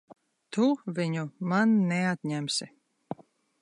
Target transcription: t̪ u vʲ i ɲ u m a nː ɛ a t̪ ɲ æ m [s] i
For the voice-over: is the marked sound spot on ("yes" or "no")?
yes